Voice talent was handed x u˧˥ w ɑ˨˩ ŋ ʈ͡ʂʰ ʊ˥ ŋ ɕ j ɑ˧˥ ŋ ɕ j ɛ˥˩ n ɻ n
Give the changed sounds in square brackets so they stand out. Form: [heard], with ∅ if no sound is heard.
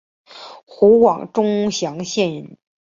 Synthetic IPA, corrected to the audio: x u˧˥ w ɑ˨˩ ŋ [ʈ͡ʂ] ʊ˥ ŋ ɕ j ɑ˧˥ ŋ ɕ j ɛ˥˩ n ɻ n